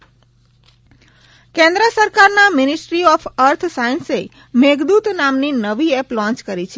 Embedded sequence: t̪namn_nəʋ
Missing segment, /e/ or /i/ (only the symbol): i